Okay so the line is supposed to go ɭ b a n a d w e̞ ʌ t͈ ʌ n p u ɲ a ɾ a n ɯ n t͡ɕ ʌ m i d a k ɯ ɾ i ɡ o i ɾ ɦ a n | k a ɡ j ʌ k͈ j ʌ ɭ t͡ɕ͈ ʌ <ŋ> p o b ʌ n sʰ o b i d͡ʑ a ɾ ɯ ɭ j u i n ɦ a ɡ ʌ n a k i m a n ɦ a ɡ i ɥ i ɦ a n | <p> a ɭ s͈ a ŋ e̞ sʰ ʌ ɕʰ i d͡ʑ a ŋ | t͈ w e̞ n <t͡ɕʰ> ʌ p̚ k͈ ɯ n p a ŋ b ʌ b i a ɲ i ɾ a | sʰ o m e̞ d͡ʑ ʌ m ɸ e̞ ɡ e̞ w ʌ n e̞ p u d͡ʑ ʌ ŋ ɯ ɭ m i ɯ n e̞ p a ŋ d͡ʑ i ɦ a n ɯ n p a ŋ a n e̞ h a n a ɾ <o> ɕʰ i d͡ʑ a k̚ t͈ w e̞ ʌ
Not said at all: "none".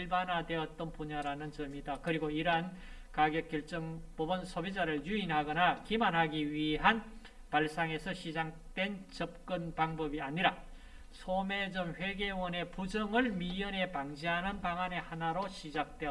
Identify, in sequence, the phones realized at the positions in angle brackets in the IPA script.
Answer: ŋ, p, t͡ɕ, o

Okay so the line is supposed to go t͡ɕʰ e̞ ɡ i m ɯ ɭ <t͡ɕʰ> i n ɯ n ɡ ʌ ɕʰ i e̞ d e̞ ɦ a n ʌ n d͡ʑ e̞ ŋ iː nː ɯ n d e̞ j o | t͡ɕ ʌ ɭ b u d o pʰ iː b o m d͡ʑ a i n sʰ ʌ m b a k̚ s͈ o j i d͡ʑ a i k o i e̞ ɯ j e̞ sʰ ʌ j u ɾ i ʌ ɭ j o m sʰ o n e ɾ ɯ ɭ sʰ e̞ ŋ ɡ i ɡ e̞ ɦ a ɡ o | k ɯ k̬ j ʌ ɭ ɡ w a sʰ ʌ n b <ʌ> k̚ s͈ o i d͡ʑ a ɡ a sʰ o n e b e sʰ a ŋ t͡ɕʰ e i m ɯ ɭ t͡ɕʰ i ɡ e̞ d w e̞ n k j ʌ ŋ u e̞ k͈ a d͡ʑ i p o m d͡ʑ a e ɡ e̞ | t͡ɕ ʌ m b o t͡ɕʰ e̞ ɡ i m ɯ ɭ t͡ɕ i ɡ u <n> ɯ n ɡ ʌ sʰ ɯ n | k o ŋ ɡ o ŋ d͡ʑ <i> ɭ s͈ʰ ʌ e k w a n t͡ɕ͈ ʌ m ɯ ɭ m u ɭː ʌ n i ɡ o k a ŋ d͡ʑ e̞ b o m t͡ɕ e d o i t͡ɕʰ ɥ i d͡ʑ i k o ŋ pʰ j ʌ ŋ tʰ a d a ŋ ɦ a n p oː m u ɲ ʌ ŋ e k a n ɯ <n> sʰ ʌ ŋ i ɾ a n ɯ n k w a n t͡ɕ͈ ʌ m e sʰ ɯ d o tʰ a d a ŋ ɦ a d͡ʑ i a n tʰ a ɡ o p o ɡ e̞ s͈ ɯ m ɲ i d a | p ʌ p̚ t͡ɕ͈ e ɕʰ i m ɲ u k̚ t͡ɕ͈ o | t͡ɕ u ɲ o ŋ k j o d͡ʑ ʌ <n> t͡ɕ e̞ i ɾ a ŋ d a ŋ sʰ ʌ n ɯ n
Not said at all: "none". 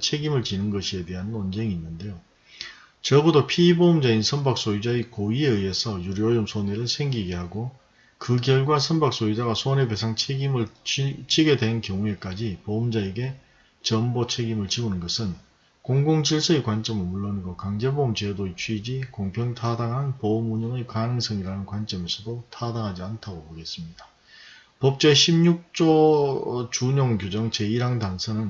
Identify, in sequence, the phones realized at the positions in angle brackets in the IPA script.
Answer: t͡ɕ, a, n, i, ŋ, ŋ

